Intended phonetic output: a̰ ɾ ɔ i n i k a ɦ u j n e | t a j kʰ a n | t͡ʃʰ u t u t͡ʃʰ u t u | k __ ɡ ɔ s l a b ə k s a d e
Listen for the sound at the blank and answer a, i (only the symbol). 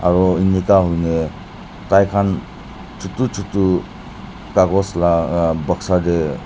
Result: a